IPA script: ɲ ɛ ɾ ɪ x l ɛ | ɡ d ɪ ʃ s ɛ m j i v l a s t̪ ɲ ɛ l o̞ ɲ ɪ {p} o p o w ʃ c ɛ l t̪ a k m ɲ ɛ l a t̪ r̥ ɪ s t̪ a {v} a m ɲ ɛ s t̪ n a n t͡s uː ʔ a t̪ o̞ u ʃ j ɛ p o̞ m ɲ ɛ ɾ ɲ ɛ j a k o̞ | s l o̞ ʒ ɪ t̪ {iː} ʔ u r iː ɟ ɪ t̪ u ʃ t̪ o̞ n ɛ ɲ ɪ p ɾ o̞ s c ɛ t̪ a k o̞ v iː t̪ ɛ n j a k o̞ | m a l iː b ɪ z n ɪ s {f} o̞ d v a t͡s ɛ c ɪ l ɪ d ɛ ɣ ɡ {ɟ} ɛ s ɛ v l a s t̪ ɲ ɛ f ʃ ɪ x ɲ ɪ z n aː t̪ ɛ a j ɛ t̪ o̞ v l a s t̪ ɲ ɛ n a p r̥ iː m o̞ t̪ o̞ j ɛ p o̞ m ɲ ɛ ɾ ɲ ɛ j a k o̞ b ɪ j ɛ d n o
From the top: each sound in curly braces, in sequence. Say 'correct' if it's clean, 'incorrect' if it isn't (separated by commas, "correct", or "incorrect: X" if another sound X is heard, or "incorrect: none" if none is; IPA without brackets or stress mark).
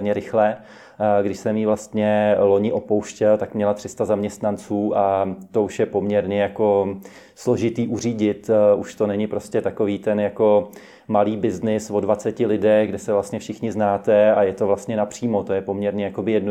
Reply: incorrect: ʔ, incorrect: z, correct, incorrect: v, incorrect: d